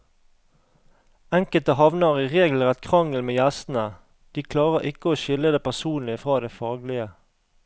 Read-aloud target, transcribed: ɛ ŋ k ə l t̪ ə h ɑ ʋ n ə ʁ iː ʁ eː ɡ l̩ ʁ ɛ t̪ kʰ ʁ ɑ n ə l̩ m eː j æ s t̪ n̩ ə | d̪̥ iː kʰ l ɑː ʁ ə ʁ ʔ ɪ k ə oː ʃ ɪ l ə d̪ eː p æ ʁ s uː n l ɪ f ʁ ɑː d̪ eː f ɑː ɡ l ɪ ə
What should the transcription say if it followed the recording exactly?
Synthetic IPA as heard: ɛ ŋ k ə l t̪ ə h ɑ ʋ n ə ʁ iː ʁ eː ɡ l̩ ʁ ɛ t̪ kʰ ʁ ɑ ŋ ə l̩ m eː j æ s t̪ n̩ ə | d̪̥ iː kʰ l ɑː ʁ ə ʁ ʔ ɪ k ə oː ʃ ɪ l ə d̪ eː p æ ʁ s uː n l ɪ f ʁ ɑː d̪ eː f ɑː ɡ l ɪ ə